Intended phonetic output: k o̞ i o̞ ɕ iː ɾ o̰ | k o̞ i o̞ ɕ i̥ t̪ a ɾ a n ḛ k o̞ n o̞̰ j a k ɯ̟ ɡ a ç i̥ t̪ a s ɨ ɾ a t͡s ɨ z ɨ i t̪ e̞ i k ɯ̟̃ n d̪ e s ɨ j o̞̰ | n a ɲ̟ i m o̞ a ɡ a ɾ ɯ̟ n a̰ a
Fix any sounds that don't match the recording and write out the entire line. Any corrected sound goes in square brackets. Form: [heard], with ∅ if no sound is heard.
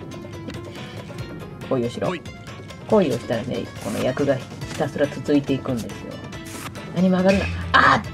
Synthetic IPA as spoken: k o̞ i o̞ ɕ [i] ɾ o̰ | k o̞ i o̞ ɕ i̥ t̪ a ɾ a n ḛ k o̞ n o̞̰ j a k ɯ̟ ɡ a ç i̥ t̪ a s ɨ ɾ a t͡s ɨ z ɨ i t̪ e̞ i k ɯ̟̃ n d̪ e s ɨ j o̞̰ | n a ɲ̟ i m o̞ a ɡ a ɾ ɯ̟ n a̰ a